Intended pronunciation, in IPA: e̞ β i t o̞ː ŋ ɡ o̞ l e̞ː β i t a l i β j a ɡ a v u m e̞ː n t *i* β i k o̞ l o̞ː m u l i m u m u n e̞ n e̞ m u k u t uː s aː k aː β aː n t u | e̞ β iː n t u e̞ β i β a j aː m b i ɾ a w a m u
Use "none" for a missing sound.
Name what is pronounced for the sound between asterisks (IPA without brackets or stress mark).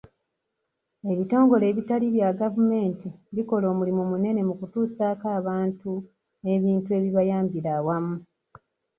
i